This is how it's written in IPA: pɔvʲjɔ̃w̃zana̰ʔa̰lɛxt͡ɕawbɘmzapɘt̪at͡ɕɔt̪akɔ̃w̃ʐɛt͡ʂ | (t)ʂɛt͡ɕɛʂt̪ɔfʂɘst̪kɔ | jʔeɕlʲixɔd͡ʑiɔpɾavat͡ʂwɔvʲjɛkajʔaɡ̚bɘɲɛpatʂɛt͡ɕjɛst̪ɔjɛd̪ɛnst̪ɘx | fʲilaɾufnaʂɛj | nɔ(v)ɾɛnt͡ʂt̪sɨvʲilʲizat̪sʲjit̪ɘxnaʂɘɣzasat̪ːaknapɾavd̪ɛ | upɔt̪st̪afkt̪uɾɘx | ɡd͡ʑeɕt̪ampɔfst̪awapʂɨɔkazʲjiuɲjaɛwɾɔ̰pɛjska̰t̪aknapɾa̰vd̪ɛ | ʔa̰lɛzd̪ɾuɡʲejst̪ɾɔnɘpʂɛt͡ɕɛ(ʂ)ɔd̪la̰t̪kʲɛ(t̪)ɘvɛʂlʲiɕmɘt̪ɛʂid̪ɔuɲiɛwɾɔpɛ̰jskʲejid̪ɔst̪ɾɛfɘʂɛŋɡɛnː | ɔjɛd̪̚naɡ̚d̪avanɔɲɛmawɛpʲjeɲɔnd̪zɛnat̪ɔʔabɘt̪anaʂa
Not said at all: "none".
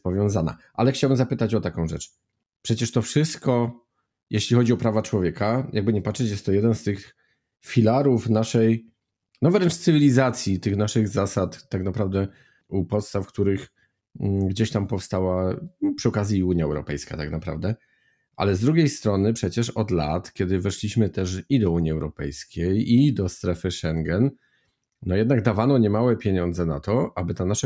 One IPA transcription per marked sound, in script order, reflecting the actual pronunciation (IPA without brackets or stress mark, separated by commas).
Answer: p, v, ʂ, d̪